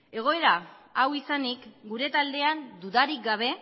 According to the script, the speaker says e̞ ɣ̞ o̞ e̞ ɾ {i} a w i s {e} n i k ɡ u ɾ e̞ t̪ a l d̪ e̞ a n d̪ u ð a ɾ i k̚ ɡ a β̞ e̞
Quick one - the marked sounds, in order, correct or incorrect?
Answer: incorrect, incorrect

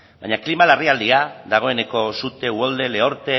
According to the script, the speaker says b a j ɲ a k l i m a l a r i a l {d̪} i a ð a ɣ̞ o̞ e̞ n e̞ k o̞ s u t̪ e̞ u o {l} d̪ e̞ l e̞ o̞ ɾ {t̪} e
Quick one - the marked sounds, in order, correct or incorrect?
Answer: correct, correct, correct

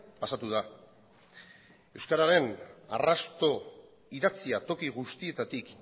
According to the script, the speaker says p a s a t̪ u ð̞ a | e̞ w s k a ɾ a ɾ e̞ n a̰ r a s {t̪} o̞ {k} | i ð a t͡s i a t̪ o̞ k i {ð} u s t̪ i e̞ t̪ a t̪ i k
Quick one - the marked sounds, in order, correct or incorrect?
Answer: correct, incorrect, incorrect

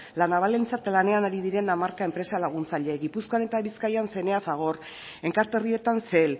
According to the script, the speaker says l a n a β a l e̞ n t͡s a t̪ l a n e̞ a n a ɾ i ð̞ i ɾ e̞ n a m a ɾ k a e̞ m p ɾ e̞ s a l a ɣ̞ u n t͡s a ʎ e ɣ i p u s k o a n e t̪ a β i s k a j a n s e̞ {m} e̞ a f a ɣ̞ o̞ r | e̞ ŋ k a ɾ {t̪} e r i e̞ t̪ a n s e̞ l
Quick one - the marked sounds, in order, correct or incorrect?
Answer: incorrect, correct

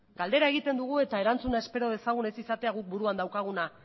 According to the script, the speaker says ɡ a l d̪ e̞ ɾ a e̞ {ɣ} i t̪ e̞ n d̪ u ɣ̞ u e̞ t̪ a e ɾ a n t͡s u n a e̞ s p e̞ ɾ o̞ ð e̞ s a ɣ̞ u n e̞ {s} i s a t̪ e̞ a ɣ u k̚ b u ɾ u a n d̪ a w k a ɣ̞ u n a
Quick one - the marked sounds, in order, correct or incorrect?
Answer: correct, correct

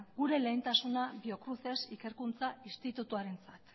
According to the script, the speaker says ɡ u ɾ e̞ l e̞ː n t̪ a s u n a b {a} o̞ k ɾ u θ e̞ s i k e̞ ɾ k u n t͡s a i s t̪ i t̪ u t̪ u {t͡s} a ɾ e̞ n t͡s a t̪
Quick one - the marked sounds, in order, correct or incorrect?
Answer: incorrect, incorrect

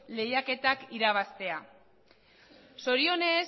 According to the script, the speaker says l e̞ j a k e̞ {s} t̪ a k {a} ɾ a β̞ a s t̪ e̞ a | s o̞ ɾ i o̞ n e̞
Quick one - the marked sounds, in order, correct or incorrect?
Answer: incorrect, incorrect

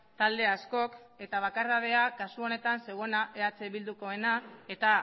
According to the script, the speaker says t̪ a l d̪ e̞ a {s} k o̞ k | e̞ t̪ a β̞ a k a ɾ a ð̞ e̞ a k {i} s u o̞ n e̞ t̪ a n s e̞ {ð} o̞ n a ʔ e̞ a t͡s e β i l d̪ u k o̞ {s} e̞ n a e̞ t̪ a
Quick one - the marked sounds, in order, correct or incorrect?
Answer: correct, incorrect, incorrect, incorrect

